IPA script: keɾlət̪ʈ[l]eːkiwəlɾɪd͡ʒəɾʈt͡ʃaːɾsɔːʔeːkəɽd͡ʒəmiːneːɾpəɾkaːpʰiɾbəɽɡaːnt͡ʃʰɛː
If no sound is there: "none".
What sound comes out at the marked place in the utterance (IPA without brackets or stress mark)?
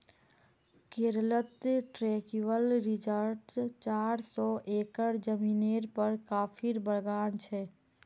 ɾ